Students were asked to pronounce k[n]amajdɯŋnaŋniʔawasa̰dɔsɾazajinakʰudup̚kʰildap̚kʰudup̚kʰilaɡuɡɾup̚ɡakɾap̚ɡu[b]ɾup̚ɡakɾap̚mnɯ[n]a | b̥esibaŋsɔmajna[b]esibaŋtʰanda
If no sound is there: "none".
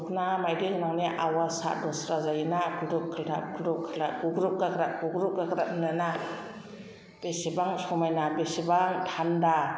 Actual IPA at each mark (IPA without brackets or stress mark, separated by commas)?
n, ɡ, n, b